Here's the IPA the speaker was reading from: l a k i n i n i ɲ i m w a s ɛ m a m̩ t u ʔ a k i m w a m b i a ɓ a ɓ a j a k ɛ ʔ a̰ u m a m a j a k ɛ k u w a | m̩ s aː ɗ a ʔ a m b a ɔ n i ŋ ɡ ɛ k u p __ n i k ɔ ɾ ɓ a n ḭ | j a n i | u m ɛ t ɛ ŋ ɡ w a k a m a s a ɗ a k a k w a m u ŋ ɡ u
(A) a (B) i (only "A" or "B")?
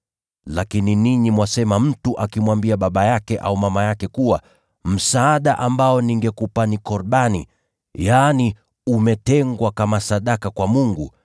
A